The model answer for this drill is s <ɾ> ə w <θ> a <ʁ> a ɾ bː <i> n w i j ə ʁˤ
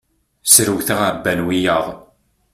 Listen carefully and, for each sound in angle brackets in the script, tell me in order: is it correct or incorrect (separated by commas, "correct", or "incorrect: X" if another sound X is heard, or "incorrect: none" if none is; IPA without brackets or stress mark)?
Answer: correct, correct, correct, incorrect: æ